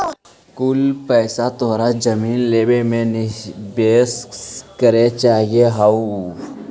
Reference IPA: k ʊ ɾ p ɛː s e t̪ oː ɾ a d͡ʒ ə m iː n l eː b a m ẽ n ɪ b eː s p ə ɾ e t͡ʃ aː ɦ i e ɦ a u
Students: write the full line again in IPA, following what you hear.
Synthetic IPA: k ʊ l p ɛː s a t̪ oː ɾ a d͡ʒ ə m iː n l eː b e m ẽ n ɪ b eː s k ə ɾ e t͡ʃ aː ɦ i e ɦ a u